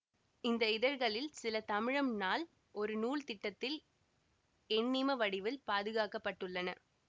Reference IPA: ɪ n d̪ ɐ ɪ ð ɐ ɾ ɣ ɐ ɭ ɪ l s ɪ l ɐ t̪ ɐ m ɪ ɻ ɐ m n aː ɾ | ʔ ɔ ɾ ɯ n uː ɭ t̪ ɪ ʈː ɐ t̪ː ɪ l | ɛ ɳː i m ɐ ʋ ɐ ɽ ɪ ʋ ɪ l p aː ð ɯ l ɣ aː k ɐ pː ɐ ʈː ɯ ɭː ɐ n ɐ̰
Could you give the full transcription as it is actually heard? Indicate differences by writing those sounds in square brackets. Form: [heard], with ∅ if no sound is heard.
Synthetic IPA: ɪ n d̪ ɐ ɪ ð ɐ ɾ ɣ ɐ ɭ ɪ l s ɪ l ɐ t̪ ɐ m ɪ ɻ ɐ m n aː [l] | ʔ ɔ ɾ ɯ n uː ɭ t̪ ɪ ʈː ɐ t̪ː ɪ l | ɛ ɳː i m ɐ ʋ ɐ ɽ ɪ ʋ ɪ l p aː ð ɯ [∅] ɣ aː k ɐ pː ɐ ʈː ɯ ɭː ɐ n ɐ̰